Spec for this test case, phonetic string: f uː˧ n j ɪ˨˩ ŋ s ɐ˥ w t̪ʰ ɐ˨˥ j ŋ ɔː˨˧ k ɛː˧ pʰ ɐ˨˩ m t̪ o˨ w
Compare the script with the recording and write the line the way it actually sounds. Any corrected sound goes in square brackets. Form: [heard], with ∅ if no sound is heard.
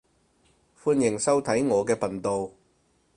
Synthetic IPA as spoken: f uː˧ n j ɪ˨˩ ŋ s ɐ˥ w t̪ʰ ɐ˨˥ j ŋ ɔː˨˧ k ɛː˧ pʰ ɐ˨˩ [n] t̪ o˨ w